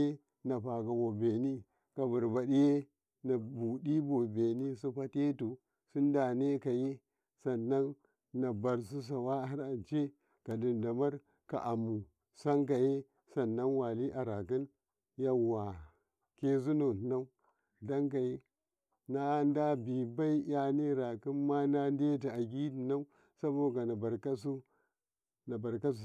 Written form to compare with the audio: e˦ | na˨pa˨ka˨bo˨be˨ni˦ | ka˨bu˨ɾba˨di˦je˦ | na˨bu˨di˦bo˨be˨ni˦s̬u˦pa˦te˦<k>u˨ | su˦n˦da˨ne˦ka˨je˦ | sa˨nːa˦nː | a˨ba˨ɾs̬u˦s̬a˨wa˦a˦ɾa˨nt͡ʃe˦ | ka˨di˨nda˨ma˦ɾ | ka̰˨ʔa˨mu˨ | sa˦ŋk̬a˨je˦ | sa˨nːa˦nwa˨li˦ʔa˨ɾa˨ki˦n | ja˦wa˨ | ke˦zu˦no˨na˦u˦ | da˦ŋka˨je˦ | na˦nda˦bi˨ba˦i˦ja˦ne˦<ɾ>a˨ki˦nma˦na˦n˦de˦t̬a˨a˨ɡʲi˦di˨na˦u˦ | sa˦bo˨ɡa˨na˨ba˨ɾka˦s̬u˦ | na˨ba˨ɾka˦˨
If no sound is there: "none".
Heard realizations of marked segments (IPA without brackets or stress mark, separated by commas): t, ɾ